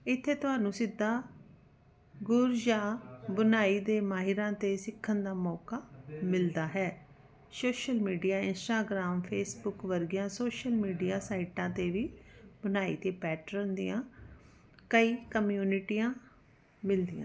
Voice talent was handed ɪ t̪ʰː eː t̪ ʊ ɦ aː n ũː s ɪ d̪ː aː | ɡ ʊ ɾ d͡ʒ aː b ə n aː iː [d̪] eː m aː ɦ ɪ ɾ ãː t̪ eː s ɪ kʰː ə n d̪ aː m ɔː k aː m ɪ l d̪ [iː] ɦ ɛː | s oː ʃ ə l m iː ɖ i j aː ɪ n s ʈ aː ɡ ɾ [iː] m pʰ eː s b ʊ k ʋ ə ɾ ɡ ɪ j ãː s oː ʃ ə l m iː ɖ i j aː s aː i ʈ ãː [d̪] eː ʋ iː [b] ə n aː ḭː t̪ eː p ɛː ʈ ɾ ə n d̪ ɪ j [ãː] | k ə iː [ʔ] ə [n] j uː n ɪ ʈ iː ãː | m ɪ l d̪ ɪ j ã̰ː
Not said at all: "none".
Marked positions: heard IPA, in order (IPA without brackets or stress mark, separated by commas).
d̪, aː, aː, t̪, b, ãː, k, m